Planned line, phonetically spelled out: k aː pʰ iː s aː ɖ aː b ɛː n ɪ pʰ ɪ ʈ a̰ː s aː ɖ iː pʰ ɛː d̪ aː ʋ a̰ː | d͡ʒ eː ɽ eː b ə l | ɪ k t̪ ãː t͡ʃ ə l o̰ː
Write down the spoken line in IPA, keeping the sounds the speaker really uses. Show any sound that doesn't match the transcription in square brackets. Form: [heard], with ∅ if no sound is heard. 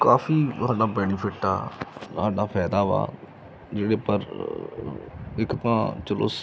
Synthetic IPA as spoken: k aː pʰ iː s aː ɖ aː b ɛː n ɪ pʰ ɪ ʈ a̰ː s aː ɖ [aː] pʰ ɛː d̪ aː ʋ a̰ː | d͡ʒ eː ɽ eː [p] ə [ɾ] | ɪ k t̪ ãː t͡ʃ ə l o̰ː

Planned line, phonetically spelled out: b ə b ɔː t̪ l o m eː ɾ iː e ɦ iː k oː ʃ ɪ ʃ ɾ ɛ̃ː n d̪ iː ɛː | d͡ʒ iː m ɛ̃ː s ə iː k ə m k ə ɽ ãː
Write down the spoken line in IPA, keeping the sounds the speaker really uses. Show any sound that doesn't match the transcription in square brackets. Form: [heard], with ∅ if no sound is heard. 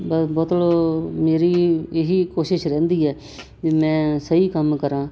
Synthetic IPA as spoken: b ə b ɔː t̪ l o m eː ɾ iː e ɦ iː k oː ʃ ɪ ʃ ɾ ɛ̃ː n d̪ iː ɛː | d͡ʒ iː m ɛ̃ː s ə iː k ə m k ə [ɾ] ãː

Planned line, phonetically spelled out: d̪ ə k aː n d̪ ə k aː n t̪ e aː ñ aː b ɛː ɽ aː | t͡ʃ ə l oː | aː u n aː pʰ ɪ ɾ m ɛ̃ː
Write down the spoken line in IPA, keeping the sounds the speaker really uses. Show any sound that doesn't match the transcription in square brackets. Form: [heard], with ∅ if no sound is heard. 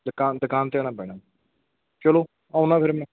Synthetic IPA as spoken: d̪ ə k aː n d̪ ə k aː n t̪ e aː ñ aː b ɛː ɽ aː | t͡ʃ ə l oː | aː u n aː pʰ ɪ ɾ m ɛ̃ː

